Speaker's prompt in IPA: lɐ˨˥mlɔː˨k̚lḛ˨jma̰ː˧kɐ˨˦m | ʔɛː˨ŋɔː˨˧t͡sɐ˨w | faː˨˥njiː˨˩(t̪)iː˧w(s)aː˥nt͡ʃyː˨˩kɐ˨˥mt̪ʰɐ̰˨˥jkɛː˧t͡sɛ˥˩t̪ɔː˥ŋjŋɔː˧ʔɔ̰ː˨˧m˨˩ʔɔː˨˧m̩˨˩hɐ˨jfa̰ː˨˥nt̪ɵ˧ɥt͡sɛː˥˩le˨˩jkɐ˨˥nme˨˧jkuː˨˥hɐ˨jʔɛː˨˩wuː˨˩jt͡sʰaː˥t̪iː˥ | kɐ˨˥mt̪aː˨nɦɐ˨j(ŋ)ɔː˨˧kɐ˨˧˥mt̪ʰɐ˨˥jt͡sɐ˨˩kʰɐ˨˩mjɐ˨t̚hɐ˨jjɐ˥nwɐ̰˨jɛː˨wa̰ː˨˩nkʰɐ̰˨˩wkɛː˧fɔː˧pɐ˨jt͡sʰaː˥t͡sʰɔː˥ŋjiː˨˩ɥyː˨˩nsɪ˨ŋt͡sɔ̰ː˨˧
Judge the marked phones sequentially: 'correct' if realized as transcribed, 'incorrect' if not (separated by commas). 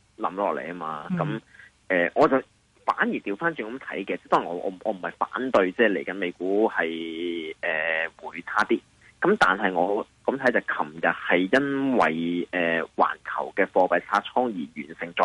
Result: correct, incorrect, correct